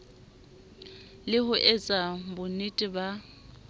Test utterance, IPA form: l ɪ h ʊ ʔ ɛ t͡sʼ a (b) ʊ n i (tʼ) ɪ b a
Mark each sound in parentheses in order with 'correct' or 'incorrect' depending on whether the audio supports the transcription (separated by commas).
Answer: correct, correct